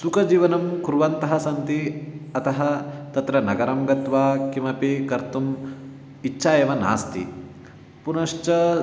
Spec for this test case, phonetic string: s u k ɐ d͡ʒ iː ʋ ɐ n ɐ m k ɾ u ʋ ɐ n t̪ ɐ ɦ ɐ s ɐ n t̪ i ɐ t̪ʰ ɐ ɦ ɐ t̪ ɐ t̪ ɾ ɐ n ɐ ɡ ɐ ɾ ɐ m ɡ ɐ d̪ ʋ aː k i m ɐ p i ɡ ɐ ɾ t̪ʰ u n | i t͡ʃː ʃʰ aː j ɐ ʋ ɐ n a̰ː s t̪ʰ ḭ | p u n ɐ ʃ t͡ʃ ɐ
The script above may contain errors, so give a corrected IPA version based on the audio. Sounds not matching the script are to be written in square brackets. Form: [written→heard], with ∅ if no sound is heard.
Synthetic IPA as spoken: s u k ɐ d͡ʒ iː ʋ ɐ n ɐ m k ɾ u ʋ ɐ n t̪ ɐ ɦ ɐ s ɐ n t̪ i ɐ [t̪ʰ→t̪] ɐ ɦ ɐ t̪ ɐ t̪ ɾ ɐ n ɐ ɡ ɐ ɾ ɐ m ɡ ɐ [d̪→t̪] ʋ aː k i m ɐ p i [ɡ→k] ɐ ɾ [t̪ʰ→t̪] u [n→m] | i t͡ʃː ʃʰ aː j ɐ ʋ ɐ n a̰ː s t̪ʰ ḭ | p u n ɐ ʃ t͡ʃ ɐ